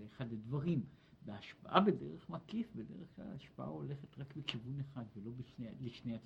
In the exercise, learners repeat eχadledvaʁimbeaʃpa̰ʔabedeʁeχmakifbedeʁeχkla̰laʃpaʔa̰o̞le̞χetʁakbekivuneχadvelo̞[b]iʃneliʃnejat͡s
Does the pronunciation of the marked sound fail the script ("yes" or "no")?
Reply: no